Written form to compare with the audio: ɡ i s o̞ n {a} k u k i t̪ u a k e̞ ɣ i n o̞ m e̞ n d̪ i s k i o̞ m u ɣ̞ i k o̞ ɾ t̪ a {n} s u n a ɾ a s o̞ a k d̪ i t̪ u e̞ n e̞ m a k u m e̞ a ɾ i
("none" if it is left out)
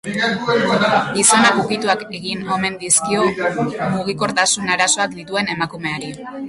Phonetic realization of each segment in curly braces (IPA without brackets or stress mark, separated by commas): a, none